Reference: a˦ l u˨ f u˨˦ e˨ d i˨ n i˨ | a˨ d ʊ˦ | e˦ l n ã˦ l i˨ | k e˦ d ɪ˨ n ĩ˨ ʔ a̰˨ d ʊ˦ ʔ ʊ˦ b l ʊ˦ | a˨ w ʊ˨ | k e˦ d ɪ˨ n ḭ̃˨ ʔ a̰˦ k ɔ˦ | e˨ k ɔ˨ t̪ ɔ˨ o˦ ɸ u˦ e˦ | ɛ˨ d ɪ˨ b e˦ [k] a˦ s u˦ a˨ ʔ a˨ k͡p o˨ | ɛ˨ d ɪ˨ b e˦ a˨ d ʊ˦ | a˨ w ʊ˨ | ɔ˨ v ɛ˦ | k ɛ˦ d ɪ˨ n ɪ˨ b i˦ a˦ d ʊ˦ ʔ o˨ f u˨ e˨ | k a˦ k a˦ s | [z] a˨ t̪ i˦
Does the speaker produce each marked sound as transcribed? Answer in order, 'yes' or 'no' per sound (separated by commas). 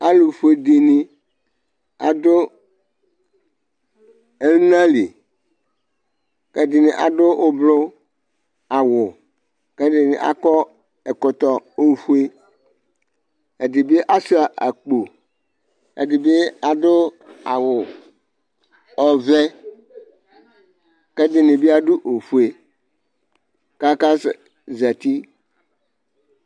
no, yes